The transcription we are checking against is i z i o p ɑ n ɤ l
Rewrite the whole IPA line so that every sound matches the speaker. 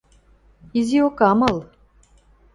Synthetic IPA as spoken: i z i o k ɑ m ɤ l